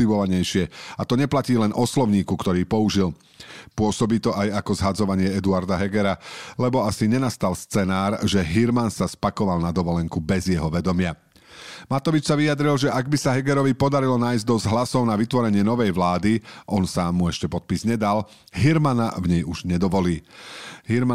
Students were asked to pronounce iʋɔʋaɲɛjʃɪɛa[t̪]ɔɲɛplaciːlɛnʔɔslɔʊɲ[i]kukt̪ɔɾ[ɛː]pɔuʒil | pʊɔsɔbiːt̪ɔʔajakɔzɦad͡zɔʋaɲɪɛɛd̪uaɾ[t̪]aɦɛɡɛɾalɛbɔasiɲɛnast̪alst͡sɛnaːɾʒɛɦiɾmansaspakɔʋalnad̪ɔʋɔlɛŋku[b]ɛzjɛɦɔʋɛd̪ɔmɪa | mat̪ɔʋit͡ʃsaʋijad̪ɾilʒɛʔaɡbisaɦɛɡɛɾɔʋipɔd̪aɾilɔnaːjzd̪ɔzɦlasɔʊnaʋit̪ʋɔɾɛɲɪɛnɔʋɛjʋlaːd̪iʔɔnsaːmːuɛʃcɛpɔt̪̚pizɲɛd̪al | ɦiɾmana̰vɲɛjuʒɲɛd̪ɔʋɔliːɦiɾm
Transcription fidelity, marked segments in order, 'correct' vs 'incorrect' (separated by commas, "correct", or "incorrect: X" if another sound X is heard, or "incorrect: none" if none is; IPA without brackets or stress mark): correct, incorrect: iː, incorrect: iː, incorrect: d̪, correct